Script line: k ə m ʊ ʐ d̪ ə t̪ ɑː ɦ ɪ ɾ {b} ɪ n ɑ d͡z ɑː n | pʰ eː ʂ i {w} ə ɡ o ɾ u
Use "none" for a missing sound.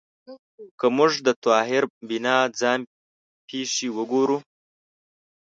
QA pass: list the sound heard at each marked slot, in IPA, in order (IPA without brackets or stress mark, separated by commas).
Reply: b, w